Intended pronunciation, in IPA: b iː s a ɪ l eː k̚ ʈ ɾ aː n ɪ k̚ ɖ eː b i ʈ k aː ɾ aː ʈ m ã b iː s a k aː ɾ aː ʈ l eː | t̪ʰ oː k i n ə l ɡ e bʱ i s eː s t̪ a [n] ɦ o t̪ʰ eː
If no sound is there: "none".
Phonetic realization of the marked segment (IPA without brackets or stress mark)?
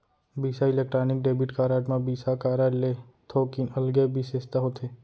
none